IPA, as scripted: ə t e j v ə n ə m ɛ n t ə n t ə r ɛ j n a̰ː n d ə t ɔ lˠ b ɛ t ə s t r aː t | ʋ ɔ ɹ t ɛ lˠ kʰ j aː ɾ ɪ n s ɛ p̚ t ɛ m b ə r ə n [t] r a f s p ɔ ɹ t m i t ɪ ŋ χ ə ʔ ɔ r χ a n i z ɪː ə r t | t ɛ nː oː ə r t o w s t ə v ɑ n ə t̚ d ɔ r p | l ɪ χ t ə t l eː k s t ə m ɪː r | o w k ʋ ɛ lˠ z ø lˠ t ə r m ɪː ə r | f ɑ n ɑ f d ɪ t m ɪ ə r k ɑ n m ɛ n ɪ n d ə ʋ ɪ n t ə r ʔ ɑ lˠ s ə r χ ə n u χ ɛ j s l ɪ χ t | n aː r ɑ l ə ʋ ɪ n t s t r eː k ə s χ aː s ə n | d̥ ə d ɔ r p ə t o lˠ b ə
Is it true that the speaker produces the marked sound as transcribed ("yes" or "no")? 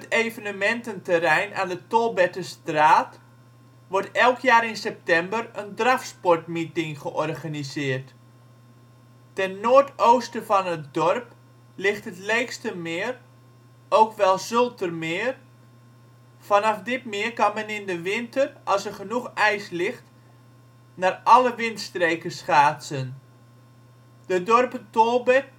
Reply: no